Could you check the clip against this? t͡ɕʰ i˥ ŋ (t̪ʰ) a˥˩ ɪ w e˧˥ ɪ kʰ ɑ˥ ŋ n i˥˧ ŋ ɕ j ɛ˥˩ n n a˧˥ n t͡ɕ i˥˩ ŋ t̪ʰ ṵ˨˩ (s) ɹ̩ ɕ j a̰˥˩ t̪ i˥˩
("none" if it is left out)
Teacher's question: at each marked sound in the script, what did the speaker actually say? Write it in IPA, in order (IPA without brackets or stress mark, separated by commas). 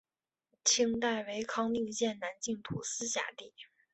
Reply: t̪, s